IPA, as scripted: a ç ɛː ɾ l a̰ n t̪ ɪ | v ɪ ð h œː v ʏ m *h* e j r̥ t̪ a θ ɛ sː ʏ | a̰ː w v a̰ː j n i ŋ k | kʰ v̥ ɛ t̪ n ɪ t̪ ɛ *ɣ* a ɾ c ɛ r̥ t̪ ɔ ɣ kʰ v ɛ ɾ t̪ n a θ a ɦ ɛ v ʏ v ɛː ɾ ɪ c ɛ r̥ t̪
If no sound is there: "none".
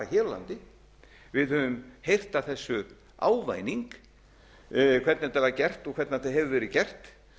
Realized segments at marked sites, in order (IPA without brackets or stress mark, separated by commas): h, v